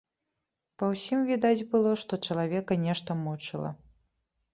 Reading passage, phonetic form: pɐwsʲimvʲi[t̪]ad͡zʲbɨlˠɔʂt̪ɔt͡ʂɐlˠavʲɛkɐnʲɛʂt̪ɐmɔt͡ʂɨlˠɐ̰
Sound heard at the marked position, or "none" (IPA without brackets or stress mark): d̪